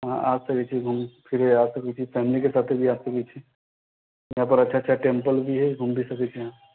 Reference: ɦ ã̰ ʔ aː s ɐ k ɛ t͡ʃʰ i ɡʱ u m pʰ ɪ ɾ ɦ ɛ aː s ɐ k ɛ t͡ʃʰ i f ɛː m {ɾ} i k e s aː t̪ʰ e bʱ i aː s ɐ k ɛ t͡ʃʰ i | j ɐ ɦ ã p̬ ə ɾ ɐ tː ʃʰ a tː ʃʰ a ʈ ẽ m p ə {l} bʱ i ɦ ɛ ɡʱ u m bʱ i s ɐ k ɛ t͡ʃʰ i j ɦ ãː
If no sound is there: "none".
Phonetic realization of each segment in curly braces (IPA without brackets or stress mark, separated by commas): l, l